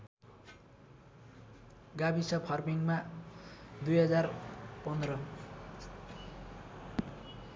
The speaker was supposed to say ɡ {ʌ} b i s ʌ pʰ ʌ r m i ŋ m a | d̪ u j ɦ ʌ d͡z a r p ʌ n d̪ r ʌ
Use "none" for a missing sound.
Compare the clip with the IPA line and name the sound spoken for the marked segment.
a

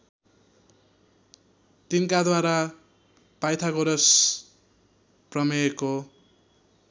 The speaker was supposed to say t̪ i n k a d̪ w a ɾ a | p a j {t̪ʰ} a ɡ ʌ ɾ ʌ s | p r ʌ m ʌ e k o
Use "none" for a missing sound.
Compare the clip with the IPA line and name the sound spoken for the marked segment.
t̪ʰ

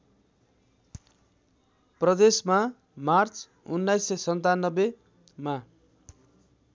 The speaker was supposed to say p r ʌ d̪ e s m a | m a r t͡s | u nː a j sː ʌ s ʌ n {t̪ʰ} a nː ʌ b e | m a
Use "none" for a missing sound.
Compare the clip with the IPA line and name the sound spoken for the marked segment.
t̪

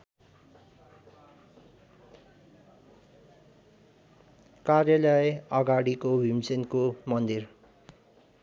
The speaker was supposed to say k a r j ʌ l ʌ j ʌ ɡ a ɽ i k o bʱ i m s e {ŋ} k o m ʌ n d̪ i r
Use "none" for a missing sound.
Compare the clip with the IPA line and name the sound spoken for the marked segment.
n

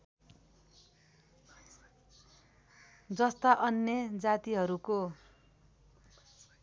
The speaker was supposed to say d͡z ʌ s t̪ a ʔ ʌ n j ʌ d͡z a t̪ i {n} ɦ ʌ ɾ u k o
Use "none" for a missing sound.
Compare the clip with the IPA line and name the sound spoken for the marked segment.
none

